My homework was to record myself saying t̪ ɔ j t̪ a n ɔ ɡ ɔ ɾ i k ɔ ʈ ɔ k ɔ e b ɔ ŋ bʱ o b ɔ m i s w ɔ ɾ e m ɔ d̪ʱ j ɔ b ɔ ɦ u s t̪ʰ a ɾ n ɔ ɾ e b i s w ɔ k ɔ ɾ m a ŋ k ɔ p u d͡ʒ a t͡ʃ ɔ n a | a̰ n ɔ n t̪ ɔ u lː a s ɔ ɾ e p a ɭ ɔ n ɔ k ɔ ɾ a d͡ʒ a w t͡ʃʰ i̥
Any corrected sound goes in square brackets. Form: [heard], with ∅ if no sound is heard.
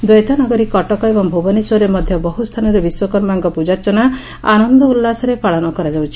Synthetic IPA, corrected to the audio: [d̪] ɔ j t̪ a n ɔ ɡ ɔ ɾ i k ɔ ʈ ɔ k ɔ e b ɔ ŋ bʱ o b ɔ [n] i s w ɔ ɾ e m ɔ d̪ʱ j ɔ b ɔ ɦ u s t̪ʰ a [∅] n ɔ ɾ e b i s w ɔ k ɔ ɾ m a ŋ k ɔ p u d͡ʒ a t͡ʃ ɔ n a | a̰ n ɔ n [d̪] ɔ u lː a s ɔ ɾ e p a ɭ ɔ n ɔ k ɔ ɾ a d͡ʒ a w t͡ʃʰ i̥